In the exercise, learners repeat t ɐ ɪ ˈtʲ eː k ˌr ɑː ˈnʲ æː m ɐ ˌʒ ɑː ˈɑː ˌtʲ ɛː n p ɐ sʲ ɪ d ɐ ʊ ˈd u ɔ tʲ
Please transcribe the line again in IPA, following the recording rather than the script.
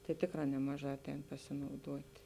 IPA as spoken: t ɐ ɪ ˈtʲ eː k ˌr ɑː ˈnʲ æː m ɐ ˌʒ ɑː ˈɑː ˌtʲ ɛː n p ɐ sʲ ɪ n ɐ ʊ ˈd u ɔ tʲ